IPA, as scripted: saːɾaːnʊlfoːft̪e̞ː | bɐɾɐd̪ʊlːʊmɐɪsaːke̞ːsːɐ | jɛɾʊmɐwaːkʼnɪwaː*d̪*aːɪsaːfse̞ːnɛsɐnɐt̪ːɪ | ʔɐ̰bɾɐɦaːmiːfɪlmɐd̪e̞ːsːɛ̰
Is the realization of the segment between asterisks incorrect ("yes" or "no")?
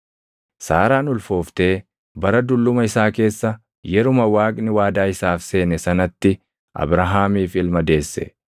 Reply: no